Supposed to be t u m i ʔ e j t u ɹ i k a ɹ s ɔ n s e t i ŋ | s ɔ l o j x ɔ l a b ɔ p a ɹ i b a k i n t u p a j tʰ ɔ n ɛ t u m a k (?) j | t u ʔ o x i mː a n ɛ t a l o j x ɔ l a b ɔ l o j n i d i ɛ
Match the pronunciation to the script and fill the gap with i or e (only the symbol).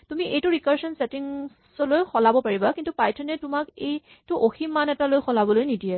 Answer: e